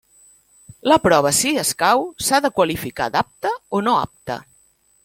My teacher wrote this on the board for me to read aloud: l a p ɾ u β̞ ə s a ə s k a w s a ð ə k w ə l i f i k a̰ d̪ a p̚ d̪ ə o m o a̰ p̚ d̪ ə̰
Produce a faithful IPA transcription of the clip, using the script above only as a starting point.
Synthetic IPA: l ə p ɾ ɔ β̞ ə s i ə s k a w s a ð ə k w ə l i f i k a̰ d̪ a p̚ t̪ ə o n o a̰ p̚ t̪ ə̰